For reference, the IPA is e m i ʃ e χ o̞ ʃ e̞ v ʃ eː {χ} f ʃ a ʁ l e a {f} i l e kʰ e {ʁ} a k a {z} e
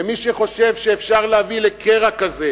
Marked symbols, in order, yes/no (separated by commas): no, no, yes, yes